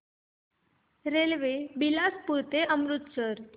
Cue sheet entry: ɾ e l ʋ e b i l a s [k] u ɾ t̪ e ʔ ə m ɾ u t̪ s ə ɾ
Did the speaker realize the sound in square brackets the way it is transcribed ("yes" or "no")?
no